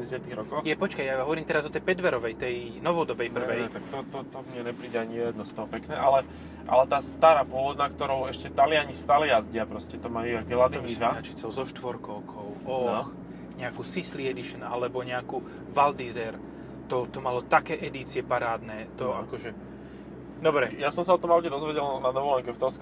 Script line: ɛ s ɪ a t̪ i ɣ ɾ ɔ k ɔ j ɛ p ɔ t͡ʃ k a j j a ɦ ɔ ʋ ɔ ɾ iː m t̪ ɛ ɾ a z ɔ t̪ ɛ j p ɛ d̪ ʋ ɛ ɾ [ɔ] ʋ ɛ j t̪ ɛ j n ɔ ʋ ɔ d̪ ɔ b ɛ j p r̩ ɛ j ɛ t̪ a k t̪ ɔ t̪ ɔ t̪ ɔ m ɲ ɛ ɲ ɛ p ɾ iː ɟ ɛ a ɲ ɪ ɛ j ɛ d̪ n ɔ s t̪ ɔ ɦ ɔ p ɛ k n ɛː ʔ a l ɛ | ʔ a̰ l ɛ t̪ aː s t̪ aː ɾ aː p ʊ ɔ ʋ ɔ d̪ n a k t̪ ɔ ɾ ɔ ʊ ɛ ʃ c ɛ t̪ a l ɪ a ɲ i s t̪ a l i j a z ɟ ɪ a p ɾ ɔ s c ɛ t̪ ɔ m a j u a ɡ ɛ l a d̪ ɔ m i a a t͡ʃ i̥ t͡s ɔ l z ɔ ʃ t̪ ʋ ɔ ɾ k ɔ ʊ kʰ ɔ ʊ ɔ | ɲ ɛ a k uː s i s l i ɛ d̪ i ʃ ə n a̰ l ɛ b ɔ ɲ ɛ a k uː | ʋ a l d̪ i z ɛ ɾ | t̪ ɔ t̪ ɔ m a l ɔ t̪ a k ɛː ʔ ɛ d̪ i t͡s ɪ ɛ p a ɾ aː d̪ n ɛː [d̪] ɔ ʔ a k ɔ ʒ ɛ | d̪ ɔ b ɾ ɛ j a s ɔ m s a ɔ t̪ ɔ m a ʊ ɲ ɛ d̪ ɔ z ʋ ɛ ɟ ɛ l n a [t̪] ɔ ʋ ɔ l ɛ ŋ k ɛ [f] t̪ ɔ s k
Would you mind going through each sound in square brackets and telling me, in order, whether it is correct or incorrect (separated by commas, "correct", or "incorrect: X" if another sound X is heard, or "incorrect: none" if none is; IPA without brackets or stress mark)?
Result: correct, incorrect: t̪, incorrect: d̪, correct